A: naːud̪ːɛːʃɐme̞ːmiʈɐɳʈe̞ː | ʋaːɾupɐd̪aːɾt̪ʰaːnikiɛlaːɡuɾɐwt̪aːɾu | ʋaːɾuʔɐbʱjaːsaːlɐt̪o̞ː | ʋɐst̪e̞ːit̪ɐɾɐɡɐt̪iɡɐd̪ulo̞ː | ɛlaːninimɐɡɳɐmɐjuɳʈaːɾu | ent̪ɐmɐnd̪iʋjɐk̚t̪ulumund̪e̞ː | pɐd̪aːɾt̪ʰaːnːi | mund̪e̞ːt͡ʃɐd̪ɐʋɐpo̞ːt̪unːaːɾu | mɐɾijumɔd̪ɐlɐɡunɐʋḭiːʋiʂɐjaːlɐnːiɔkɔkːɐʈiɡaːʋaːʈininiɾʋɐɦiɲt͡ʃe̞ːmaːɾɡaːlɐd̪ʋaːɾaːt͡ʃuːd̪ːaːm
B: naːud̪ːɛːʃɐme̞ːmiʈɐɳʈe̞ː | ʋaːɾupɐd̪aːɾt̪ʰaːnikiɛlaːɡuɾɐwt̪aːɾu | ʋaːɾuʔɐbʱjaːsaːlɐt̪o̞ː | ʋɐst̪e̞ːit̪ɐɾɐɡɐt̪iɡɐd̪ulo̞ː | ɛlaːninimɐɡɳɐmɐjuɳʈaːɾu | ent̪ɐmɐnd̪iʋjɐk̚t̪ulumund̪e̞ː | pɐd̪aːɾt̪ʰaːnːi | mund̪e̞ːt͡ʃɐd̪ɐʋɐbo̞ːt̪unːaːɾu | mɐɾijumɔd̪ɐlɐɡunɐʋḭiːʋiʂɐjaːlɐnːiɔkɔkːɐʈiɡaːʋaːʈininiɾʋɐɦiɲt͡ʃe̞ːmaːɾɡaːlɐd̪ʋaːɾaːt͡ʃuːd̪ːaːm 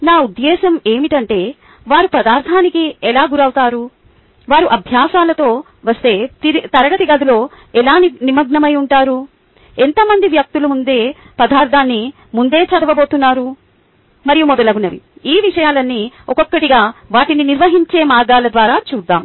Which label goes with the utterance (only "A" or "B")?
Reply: B